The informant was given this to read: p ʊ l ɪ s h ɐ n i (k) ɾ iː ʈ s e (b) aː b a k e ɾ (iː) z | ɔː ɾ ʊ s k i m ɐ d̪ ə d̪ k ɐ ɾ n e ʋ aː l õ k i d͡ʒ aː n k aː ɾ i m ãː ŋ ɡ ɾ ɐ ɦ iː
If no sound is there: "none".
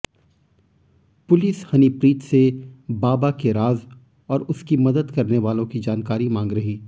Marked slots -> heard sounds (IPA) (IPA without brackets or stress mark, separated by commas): p, b, aː